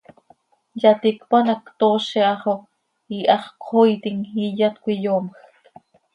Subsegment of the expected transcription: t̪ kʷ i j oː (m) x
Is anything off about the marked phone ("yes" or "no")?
no